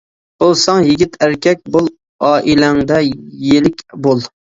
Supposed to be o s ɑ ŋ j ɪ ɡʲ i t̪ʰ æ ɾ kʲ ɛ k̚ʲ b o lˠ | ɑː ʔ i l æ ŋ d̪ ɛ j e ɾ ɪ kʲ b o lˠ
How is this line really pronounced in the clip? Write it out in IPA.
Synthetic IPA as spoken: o s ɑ ŋ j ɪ ɡʲ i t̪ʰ æ ɾ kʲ ɛ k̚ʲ b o lˠ | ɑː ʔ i l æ ŋ d̪ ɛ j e l ɪ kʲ b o lˠ